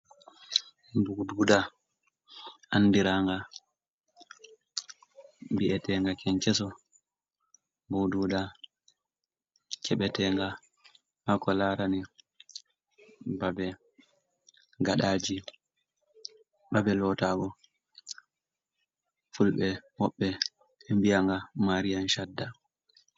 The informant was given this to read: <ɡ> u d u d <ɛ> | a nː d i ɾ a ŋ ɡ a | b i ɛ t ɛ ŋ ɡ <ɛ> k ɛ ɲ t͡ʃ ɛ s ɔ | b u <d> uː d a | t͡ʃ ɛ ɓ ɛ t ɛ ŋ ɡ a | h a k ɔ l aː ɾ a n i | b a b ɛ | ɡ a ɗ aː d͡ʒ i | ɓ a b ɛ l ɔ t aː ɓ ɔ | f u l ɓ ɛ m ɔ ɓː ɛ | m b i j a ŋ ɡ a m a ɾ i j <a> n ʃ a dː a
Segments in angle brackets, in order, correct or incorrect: incorrect: b, incorrect: a, incorrect: a, correct, correct

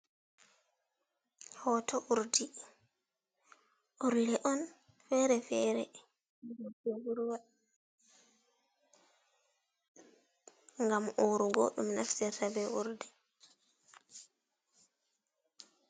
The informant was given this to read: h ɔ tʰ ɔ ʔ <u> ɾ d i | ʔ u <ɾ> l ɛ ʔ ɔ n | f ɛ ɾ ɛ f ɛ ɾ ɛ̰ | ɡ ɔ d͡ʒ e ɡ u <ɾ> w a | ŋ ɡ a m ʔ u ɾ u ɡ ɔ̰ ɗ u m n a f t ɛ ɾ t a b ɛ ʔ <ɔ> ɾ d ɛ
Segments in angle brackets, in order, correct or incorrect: correct, correct, correct, incorrect: u

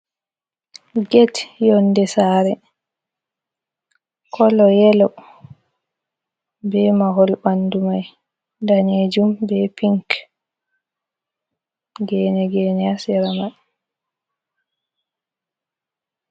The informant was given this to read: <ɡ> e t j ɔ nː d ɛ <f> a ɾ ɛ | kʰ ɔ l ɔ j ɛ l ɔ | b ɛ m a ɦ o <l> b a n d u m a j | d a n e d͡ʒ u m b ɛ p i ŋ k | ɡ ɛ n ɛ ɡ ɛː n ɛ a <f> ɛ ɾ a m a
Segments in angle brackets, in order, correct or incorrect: correct, incorrect: s, correct, incorrect: s

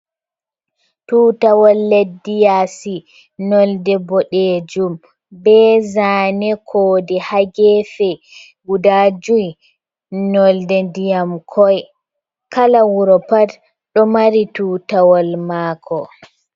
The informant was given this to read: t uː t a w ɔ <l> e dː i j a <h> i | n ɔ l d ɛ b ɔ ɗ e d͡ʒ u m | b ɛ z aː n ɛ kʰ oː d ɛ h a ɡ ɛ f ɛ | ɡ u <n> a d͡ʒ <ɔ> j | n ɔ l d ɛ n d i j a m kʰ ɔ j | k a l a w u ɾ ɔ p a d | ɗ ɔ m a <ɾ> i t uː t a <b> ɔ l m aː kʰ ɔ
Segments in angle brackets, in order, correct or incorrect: incorrect: lː, incorrect: s, incorrect: d, incorrect: u, correct, incorrect: w

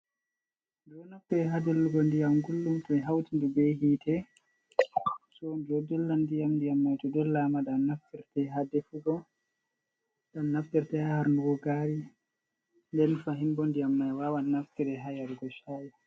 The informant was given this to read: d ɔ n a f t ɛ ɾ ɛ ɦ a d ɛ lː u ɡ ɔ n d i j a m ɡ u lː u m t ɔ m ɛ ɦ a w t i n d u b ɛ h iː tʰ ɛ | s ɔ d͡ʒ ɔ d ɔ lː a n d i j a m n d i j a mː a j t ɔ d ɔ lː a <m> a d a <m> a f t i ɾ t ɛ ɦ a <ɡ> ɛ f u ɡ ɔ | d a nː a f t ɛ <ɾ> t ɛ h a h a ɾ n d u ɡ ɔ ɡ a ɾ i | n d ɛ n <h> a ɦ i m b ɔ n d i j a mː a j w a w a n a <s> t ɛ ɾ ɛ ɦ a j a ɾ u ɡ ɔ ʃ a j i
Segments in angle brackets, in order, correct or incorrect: correct, incorrect: n, incorrect: d, correct, incorrect: f, incorrect: f

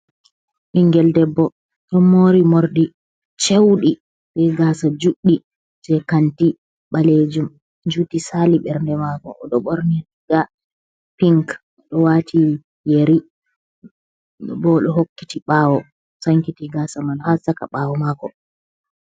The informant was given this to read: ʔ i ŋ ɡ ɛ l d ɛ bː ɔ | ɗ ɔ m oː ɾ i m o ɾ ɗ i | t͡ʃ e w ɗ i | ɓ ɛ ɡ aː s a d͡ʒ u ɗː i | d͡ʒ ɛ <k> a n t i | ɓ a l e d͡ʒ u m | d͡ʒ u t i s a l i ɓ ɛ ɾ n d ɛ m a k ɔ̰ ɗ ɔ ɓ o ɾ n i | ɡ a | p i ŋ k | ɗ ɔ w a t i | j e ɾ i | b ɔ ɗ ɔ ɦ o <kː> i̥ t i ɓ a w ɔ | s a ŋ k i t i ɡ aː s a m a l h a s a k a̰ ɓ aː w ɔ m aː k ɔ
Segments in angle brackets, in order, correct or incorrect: correct, correct

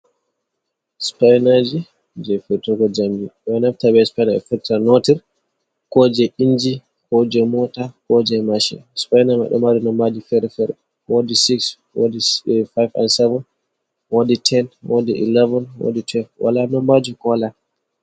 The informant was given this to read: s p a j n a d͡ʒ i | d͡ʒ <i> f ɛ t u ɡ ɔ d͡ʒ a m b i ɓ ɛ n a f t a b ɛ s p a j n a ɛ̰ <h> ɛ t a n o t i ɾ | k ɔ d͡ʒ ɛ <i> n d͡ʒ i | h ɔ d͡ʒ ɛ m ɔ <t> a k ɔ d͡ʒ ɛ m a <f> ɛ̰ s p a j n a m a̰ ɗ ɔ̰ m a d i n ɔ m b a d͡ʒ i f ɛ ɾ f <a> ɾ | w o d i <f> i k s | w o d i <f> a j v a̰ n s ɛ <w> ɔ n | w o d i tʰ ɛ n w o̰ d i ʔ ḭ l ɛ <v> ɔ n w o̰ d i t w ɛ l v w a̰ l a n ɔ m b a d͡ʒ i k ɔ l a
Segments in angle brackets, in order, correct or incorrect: incorrect: ɛ, incorrect: f, correct, correct, incorrect: ʃ, incorrect: ɛ, incorrect: s, correct, incorrect: v, correct

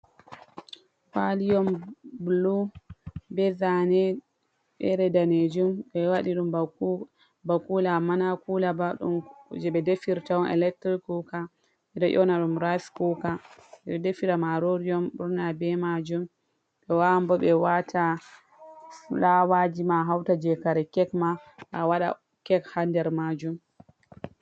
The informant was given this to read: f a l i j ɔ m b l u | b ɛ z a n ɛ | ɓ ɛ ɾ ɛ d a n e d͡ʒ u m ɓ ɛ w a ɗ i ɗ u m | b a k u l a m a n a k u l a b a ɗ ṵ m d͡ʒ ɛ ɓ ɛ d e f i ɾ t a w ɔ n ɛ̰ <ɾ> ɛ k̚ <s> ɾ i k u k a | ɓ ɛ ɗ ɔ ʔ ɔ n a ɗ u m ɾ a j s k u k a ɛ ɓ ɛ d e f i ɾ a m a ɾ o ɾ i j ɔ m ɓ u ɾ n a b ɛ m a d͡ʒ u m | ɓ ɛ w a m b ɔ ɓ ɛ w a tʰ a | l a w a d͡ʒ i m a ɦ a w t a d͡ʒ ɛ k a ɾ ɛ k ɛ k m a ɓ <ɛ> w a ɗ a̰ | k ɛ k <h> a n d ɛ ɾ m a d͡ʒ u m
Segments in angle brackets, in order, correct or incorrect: incorrect: l, incorrect: t, incorrect: a, correct

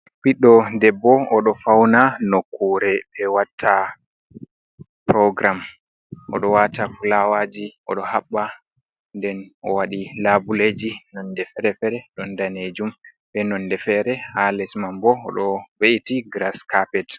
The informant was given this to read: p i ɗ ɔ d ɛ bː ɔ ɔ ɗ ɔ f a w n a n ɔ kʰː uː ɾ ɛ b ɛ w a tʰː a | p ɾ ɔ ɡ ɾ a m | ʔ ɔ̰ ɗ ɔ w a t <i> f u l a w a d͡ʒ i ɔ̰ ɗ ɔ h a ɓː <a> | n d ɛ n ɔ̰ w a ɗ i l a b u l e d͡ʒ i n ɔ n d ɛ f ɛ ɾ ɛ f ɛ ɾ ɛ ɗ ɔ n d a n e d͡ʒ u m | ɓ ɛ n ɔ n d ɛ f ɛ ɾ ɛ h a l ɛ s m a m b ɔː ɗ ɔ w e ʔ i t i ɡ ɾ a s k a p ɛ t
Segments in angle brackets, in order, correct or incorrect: incorrect: a, correct

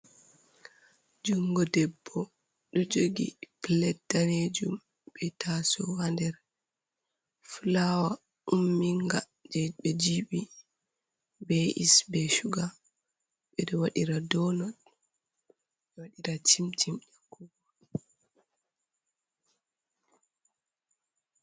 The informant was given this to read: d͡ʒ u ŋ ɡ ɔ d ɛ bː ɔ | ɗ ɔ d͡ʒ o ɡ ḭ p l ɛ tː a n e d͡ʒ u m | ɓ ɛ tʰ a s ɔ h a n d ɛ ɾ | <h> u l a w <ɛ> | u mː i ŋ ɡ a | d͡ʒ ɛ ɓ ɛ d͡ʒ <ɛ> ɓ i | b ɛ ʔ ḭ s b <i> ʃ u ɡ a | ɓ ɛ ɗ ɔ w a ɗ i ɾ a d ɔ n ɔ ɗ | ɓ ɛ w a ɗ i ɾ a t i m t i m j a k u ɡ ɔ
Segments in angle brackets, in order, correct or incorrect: incorrect: f, incorrect: a, incorrect: i, incorrect: ɛ

